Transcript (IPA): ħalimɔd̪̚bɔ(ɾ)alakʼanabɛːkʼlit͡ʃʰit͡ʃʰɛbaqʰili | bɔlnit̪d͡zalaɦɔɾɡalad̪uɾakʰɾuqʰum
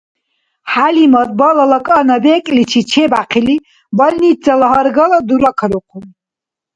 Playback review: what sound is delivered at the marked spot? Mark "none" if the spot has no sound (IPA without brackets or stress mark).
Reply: l